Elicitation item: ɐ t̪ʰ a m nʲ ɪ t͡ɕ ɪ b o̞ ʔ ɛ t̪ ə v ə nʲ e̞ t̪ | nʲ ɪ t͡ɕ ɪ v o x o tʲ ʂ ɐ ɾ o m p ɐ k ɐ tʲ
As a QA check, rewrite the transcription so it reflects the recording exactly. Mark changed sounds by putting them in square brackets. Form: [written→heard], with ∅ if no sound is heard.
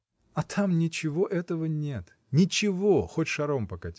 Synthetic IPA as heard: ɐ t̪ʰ a m nʲ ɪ t͡ɕ ɪ [b→v] o̞ ʔ ɛ t̪ ə v ə nʲ e̞ t̪ | nʲ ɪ t͡ɕ ɪ v o x o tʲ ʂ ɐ ɾ o m p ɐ k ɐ tʲ